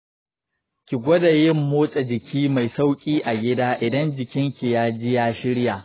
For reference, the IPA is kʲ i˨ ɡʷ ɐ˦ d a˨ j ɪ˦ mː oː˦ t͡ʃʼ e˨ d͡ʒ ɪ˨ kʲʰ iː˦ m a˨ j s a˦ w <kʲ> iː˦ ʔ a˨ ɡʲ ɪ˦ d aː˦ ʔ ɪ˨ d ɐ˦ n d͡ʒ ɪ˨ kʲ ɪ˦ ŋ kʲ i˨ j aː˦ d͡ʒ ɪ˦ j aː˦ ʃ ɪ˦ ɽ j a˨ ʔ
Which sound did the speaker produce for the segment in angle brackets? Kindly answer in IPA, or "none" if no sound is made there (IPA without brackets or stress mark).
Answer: kʲʼ